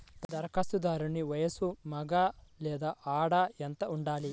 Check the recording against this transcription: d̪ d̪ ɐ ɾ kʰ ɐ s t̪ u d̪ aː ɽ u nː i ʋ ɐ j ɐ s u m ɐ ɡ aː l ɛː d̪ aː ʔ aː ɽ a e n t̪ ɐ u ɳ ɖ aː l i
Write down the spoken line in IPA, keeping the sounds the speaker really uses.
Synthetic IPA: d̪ d̪ ɐ ɾ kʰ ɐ s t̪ u d̪ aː ɾ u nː i ʋ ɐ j ɐ s u m ɐ ɡ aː l ɛː d̪ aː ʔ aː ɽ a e n t̪ ɐ u ɳ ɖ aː l i

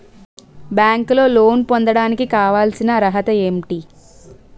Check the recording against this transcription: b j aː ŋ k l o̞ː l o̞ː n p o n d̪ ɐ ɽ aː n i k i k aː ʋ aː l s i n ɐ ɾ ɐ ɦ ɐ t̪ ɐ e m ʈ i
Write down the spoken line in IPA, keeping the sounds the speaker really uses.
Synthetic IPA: b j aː ŋ k l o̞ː l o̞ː n p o n d̪ ɐ ɽ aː n i k i k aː ʋ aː l s i n ɐ ɾ ɐ ɦ ɐ t̪ ɐ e m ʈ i

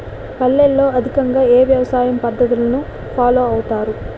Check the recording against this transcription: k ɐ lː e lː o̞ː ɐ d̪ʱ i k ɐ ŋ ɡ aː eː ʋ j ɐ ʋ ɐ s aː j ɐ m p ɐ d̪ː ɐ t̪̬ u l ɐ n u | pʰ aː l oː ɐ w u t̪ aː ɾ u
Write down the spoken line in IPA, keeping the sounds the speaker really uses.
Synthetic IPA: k ɐ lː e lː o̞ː ɐ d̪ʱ i k ɐ ŋ ɡ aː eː ʋ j ɐ ʋ ɐ s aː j ɐ m p ɐ d̪ː ɐ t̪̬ u l ɐ n u | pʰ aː l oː ɐ w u t̪ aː ɾ u

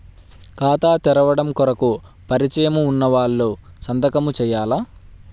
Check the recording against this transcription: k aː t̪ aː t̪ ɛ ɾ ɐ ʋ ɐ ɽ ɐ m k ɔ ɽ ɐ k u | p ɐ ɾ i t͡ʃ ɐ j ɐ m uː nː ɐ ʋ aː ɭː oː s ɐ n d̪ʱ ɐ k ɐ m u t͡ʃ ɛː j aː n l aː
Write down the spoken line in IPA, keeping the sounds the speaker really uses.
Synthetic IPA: k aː t̪ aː t̪ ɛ ɾ ɐ ʋ ɐ ɽ ɐ m k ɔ ɾ ɐ k u | p ɐ ɾ i t͡ʃ ɐ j ɐ m uː nː ɐ ʋ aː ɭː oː s ɐ n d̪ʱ ɐ k ɐ m u t͡ʃ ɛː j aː l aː

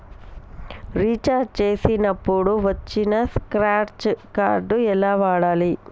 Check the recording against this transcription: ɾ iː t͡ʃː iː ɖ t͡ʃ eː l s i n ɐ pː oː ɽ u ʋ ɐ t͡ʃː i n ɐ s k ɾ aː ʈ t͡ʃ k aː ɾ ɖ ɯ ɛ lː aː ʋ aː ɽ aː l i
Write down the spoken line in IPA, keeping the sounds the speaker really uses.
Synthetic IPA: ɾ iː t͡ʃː aː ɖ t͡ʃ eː s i n ɐ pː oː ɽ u ʋ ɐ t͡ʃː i n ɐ s k ɾ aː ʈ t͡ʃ k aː ɾ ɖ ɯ ɛ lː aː ʋ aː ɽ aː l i

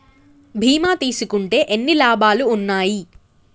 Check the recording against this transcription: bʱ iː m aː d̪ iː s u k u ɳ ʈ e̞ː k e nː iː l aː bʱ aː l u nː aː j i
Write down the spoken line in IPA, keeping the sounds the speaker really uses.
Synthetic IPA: bʱ iː m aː t̪ iː s u k u ɳ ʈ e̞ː ʔ e nː i l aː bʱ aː l uː nː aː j i

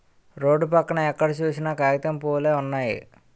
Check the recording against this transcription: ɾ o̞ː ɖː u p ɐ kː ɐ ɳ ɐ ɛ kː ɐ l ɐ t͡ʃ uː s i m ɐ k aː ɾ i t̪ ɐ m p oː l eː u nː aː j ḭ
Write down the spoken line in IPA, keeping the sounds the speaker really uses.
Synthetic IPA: ɾ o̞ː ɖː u p ɐ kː ɐ ɳ ɐ ɛ kː ɐ ɽ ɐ t͡ʃ uː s i n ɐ k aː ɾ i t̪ ɐ m p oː l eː u nː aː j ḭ

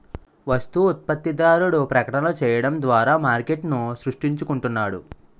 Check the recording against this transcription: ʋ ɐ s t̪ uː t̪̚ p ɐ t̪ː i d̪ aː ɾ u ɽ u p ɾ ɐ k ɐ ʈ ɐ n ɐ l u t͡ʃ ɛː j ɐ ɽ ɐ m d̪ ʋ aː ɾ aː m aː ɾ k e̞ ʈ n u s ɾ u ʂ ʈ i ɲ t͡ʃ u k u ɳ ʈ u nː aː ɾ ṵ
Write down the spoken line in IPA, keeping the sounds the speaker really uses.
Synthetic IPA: ʋ ɐ s t̪ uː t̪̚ p ɐ t̪ː i d̪ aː ɾ u ɽ u p ɾ ɐ k ɐ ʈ ɐ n ɐ l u t͡ʃ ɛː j ɐ ɽ ɐ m d̪ ʋ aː ɾ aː m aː ɾ k e̞ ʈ n u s ɾ u ʂ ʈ i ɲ t͡ʃ u k u ɳ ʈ u nː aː ɽ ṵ

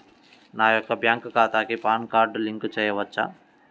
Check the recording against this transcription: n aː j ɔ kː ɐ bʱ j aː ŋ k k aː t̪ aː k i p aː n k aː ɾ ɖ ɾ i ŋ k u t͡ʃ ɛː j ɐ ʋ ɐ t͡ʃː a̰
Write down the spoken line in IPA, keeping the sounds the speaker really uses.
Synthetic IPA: n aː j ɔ kː ɐ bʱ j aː ŋ k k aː t̪ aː k i p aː n k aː ɾ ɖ l i ŋ k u t͡ʃ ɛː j ɐ ʋ ɐ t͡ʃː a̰

